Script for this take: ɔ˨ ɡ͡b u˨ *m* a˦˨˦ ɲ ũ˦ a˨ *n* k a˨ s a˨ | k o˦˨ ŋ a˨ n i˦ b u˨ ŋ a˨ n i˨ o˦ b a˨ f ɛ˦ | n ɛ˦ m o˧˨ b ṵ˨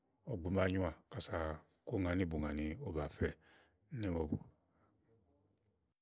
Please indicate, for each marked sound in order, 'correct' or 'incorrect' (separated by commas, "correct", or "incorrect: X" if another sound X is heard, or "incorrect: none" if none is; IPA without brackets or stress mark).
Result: correct, incorrect: none